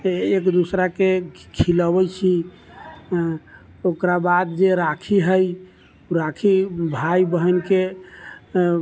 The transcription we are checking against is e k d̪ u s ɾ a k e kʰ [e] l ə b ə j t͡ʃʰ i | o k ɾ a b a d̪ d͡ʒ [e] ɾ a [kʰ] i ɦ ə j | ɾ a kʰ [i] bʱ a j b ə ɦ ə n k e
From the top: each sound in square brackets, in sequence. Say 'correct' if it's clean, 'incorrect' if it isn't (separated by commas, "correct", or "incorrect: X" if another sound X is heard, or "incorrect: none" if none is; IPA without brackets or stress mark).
incorrect: i, correct, correct, correct